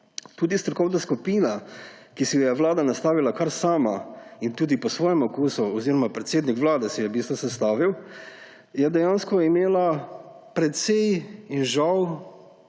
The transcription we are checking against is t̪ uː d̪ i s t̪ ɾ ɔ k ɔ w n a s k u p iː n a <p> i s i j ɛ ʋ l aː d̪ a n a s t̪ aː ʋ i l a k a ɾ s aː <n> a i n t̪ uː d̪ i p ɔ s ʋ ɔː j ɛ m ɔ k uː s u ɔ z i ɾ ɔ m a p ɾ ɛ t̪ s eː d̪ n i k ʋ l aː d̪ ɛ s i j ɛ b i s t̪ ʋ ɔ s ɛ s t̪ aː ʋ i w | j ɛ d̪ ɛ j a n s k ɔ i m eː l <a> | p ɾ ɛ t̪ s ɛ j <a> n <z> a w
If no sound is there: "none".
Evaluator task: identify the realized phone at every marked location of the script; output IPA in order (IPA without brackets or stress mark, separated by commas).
k, m, a, i, ʒ